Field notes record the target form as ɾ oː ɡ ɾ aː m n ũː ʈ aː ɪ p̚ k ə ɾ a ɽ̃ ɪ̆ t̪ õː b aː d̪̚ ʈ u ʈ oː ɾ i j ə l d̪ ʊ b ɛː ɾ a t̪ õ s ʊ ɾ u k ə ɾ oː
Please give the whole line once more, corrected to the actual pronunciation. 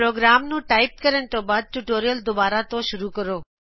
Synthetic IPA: ɾ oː ɡ ɾ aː m n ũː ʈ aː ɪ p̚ k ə ɾ ə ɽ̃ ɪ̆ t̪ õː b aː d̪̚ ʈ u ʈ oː ɾ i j ə l d̪ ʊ b aː ɾ a t̪ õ ʃ ʊ ɾ u k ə ɾ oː

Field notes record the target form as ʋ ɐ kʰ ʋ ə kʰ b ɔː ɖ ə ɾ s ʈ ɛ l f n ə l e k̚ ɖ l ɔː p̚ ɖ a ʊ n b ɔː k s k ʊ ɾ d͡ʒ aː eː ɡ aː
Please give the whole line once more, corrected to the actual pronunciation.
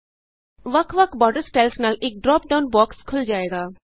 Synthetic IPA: ʋ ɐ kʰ ʋ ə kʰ b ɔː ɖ ə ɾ s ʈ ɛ l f n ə l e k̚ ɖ ɾ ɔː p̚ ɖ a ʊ n b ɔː k s kʰ ʊ l d͡ʒ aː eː ɡ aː

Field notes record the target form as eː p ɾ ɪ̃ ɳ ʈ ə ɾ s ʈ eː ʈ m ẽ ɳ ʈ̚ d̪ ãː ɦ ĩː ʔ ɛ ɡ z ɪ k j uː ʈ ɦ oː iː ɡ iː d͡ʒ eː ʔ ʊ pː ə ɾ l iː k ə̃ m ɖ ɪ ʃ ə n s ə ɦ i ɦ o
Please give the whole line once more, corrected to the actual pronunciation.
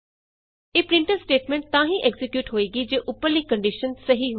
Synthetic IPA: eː p ɾ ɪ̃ ɳ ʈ ə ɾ s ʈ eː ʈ m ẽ ɳ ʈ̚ t̪ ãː ɦ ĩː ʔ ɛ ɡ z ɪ k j uː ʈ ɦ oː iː ɡ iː d͡ʒ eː ʔ ʊ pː ə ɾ l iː k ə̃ ɳ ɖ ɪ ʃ ə n s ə ɦ i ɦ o

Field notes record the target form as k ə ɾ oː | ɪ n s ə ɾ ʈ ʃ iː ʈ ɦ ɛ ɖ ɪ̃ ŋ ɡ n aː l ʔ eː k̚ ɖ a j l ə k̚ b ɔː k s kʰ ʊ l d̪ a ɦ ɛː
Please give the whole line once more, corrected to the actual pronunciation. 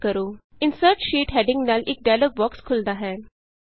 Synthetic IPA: k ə ɾ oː | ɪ n s ə ɾ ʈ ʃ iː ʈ ɦ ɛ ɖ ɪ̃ ŋ ɡ n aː l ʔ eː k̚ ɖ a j l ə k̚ b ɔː k s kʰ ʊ l d̪ a ɦ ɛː

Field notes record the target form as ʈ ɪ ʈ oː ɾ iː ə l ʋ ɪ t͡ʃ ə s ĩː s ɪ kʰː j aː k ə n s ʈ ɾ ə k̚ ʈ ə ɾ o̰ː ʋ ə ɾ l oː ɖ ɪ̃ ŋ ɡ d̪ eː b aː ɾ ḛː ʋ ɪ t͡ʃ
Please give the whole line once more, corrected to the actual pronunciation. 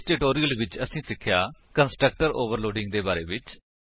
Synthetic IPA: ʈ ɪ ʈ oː ɾ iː ə l ʋ ɪ t͡ʃ ə s ĩː s ɪ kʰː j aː k ə n s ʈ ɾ ə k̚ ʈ ə ɾ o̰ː ʋ ə ɾ l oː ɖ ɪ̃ ŋ ɡ d̪ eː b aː ɾ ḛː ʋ ɪ t͡ʃ

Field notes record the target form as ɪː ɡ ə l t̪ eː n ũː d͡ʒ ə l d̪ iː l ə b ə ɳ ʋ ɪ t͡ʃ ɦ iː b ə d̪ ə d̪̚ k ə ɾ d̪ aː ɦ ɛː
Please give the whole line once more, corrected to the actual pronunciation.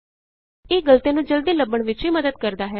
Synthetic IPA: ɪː ɡ ə l t̪ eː n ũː d͡ʒ ə l d̪ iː l ə b ə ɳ ʋ ɪ t͡ʃ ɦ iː m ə d̪ ə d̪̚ k ə ɾ d̪ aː ɦ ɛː

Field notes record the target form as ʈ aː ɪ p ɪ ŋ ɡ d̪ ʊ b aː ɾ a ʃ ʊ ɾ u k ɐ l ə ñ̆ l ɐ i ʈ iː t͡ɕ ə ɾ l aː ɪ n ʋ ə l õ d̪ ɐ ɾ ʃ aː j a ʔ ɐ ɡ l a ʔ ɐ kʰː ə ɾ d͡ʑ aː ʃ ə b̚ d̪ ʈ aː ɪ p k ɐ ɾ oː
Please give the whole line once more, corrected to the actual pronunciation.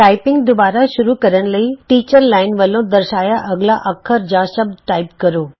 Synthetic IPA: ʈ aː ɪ p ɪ ŋ ɡ d̪ ʊ b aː ɾ a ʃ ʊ ɾ u k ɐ ɾ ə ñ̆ l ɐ i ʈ iː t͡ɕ ə ɾ l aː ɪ n ʋ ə l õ d̪ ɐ ɾ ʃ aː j a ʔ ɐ ɡ l a ʔ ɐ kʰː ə ɾ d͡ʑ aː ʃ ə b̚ d̪ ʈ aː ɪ p k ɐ ɾ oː

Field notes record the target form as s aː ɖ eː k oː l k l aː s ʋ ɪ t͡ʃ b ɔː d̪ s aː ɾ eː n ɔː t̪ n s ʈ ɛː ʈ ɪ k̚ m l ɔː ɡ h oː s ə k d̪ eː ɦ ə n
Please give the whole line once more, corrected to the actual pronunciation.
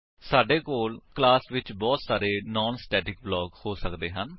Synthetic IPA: s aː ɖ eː k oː l k l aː s ʋ ɪ t͡ʃ b ɔː t̪ s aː ɾ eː n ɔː n s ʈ ɛː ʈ ɪ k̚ b l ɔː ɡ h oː s ə k d̪ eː ɦ ə n

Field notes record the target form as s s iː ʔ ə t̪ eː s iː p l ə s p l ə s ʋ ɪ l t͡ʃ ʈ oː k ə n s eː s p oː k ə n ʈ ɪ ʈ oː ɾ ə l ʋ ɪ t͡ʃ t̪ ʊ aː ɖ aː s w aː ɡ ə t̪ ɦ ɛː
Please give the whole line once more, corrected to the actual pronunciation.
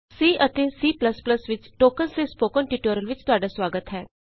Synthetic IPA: s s iː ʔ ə t̪ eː s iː p l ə s p l ə s ʋ ɪ t͡ʃ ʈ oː k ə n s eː s p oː k ə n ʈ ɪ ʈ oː ɾ ə l ʋ ɪ t͡ʃ t̪ ʊ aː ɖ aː s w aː ɡ ə t̪ ɦ ɛː

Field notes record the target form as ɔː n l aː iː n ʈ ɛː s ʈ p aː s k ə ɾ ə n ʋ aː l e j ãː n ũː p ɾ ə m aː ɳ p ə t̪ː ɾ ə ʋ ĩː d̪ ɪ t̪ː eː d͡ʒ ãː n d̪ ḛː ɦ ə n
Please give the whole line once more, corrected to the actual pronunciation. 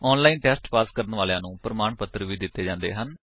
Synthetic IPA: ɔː n l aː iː n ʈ ɛː s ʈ p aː s k ə ɾ ə n ʋ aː l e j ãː n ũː p ɾ ə m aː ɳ p ə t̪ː ɾ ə ʋ iː d̪ ɪ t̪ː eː d͡ʒ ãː n d̪ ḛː ɦ ə n

